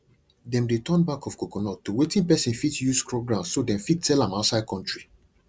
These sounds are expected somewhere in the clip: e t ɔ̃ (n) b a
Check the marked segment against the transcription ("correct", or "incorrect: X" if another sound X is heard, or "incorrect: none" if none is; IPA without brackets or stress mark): correct